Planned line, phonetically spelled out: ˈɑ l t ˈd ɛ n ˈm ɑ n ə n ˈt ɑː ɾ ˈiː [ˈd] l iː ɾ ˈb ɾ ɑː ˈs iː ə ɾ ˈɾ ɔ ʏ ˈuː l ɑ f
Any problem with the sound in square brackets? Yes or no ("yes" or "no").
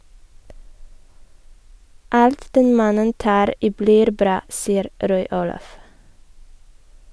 yes